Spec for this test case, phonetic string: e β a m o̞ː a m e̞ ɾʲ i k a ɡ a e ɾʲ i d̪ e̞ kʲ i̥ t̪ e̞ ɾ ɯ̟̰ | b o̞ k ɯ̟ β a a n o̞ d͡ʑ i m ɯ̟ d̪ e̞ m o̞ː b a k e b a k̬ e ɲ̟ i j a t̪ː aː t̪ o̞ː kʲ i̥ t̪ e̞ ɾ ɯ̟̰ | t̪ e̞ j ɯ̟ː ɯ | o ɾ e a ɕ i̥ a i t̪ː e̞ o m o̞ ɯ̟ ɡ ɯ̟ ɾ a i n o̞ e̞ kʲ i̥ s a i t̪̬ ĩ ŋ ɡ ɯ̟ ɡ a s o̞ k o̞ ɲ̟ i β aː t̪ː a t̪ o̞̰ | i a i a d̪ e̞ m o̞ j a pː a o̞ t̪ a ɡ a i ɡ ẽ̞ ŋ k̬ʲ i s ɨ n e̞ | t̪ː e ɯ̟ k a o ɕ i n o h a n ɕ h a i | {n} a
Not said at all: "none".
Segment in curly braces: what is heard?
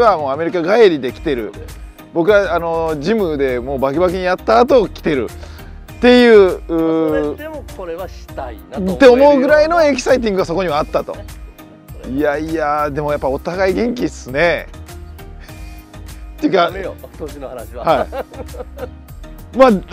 m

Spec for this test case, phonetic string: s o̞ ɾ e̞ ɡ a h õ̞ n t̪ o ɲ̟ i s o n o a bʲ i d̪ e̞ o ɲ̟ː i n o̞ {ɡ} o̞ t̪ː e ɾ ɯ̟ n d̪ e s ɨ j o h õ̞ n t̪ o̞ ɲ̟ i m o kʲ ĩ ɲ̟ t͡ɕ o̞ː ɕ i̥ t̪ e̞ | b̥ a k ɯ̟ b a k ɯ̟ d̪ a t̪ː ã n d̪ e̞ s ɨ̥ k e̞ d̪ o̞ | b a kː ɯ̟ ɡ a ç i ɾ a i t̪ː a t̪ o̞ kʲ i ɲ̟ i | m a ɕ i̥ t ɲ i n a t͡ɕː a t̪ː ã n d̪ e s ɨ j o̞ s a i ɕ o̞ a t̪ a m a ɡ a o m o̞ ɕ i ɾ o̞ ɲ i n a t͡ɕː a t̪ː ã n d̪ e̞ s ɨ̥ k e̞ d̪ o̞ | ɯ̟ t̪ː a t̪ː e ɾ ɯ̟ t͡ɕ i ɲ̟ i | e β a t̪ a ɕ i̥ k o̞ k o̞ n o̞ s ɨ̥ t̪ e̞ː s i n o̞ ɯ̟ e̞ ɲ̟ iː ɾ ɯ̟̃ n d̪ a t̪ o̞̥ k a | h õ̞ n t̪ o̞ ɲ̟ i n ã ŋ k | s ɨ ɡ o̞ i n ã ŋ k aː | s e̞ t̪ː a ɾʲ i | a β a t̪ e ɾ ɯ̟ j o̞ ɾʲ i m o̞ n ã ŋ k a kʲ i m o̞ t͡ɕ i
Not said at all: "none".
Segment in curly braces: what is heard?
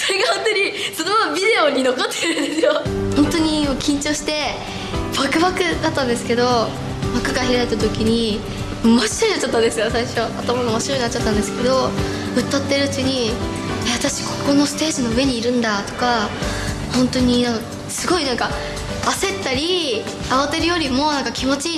k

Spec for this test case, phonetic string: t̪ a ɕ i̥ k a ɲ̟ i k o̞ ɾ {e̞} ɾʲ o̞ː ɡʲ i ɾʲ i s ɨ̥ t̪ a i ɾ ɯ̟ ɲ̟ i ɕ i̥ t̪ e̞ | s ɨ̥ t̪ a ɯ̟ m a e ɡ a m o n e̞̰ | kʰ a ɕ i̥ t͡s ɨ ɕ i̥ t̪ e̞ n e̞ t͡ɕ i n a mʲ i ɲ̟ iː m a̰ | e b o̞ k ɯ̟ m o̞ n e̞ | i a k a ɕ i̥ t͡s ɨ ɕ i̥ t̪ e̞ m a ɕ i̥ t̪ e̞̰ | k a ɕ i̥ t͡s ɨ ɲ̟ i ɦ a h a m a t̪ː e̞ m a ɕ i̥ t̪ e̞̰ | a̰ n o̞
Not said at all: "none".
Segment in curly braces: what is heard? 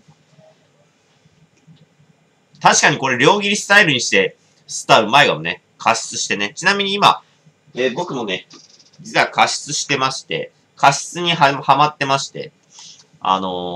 e̞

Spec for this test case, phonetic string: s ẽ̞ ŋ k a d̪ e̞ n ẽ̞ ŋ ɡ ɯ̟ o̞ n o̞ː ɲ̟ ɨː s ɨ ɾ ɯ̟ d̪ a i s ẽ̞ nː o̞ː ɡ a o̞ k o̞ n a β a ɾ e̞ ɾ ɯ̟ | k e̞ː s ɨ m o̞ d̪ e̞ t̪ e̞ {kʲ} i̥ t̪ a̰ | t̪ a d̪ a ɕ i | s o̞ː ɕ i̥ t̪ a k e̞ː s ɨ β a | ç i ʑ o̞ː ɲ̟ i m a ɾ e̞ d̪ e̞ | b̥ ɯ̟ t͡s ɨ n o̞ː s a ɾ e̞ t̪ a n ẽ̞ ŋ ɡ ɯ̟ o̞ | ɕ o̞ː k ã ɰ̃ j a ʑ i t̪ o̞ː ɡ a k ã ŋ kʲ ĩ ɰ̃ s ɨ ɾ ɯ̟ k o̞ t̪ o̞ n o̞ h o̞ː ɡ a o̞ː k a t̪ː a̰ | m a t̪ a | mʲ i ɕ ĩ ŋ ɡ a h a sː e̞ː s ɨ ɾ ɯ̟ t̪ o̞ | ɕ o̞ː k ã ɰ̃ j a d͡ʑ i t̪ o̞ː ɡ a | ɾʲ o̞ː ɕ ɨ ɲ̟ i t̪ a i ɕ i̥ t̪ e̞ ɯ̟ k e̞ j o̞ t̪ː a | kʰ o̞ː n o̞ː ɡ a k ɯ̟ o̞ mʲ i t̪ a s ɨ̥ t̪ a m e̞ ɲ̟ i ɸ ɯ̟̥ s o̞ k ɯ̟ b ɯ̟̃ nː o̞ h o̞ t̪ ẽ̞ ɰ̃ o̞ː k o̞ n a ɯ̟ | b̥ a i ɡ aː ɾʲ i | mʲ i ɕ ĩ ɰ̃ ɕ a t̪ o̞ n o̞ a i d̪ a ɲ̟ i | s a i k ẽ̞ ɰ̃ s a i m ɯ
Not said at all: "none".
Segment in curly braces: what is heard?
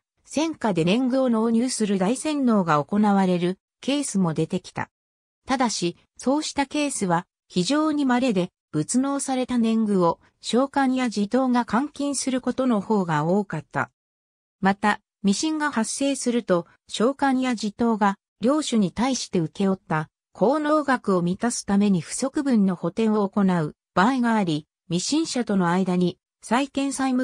kʲ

